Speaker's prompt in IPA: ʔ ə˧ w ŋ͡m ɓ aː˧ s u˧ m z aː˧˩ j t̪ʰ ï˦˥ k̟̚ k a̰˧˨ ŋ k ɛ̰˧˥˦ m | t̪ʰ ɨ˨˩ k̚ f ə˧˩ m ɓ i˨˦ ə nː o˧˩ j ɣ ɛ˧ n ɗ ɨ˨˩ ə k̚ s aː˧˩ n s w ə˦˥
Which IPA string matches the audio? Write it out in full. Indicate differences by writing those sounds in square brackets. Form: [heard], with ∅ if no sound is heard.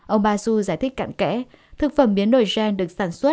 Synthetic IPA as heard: ʔ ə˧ w ŋ͡m ɓ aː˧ s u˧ [∅] z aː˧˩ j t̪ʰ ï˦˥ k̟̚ k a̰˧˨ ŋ k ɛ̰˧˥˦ [∅] | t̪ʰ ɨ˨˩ k̚ f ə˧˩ m ɓ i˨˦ ə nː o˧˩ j [z] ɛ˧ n ɗ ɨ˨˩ ə k̚ s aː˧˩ n s w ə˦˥